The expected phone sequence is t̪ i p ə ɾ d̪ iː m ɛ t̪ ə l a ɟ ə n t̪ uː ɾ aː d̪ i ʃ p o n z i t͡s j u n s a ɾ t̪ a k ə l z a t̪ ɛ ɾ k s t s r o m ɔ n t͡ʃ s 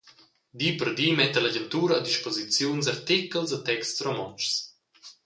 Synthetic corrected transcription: d̪ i p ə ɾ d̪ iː m ɛ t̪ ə l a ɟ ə n t̪ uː ɾ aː d̪ i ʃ p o z i t͡s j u n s a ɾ t̪ i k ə l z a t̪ ɛ k s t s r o m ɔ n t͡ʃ s